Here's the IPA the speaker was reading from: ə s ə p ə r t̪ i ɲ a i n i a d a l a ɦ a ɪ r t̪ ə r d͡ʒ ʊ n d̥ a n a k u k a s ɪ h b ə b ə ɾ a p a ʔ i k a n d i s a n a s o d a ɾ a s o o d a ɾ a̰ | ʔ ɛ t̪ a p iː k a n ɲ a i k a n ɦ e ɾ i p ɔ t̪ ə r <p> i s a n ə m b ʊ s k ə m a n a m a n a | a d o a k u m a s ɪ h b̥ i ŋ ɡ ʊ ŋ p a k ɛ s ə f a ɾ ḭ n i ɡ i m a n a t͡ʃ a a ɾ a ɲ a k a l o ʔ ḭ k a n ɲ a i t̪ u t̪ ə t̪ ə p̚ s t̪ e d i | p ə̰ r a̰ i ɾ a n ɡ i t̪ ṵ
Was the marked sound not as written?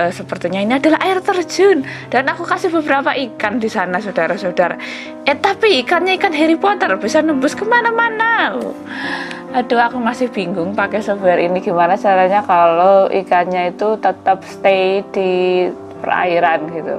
yes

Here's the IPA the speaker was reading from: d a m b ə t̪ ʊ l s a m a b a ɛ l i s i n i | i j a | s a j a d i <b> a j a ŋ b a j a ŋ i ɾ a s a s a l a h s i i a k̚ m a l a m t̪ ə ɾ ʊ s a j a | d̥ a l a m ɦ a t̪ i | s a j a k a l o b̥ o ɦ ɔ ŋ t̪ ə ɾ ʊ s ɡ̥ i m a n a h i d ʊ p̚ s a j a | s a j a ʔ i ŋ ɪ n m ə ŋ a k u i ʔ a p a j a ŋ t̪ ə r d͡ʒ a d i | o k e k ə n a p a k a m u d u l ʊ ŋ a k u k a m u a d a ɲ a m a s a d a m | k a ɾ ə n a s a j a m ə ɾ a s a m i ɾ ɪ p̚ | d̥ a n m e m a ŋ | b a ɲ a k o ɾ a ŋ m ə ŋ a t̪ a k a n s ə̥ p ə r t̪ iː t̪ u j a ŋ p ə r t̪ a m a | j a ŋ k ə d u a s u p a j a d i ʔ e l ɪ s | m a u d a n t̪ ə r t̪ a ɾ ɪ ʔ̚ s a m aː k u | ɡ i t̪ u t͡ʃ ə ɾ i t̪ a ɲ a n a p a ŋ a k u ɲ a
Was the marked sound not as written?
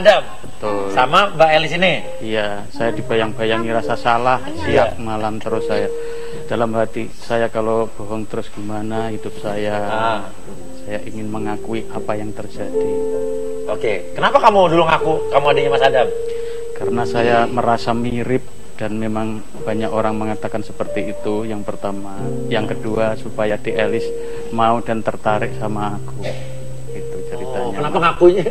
no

